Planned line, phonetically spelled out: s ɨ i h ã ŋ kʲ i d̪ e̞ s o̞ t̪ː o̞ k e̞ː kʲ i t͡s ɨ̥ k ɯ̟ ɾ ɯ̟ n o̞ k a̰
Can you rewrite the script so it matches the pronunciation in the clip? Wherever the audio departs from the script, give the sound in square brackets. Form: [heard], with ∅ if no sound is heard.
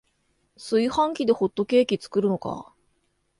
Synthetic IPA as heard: s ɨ i h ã ŋ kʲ i d̪ e̞ [h] o̞ t̪ː o̞ k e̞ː kʲ i t͡s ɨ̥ k ɯ̟ ɾ ɯ̟ n o̞ k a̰